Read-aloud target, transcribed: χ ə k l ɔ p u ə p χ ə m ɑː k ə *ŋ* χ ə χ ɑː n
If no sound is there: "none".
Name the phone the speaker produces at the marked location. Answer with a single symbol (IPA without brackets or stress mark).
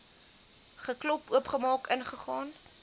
n